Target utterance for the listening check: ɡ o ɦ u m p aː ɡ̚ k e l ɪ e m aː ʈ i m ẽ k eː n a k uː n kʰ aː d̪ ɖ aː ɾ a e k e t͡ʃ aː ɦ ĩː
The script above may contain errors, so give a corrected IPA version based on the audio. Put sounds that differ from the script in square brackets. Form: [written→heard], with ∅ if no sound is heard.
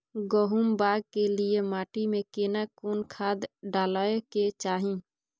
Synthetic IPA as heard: ɡ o ɦ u m [p→b] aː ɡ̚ k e l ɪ e m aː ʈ i m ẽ k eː n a k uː n kʰ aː d̪ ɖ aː [ɾ→l] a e k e t͡ʃ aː ɦ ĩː